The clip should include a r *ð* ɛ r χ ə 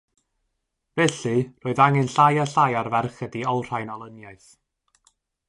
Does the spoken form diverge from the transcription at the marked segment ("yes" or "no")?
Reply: yes